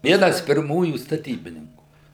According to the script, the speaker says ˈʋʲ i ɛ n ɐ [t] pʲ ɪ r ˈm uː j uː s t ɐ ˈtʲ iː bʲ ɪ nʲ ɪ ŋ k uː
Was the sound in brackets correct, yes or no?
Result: no